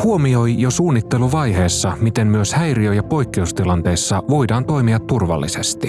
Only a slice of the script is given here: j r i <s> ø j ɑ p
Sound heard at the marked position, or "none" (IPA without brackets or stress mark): none